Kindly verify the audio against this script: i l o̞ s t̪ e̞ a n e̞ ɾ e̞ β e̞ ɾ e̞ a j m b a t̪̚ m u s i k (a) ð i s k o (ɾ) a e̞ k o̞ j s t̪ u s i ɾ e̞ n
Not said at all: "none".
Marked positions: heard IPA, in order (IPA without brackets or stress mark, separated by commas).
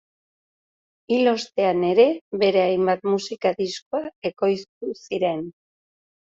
a, none